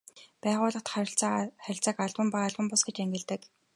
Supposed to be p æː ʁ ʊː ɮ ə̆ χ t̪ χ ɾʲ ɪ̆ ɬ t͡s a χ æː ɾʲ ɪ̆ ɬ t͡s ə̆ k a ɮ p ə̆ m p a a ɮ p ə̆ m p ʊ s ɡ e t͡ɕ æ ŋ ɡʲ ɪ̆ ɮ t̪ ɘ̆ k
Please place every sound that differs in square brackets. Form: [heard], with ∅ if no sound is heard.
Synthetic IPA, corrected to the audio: p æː ʁ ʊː ɮ ə̆ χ t̪ χ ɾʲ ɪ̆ ɬ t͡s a χ [æ] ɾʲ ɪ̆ ɬ t͡s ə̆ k a ɮ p ə̆ m p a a ɮ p ə̆ m p ʊ s ɡ e t͡ɕ æ ŋ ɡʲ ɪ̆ ɮ t̪ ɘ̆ k